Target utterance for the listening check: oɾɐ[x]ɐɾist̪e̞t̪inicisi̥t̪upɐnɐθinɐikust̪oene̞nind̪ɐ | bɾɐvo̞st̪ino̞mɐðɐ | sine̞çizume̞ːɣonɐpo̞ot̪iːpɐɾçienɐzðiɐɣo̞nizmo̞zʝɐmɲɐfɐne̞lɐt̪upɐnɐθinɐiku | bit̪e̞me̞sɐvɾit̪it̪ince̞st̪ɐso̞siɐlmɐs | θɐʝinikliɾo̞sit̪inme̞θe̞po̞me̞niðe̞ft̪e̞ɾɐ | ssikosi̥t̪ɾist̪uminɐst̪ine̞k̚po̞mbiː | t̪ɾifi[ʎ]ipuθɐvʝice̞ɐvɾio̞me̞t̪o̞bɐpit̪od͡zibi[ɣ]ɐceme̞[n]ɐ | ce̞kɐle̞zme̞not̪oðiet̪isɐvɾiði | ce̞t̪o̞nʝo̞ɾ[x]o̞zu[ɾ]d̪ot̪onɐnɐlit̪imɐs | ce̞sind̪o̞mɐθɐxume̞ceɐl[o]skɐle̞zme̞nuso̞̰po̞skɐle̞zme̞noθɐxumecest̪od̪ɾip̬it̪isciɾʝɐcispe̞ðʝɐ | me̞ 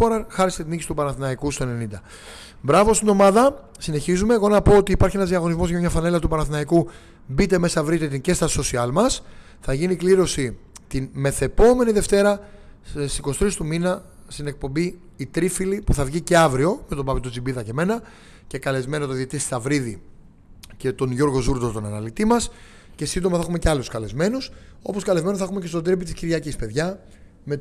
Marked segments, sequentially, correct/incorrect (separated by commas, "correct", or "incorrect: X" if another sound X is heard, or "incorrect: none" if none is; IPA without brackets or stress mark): correct, incorrect: l, incorrect: ð, correct, incorrect: ɣ, correct, incorrect: u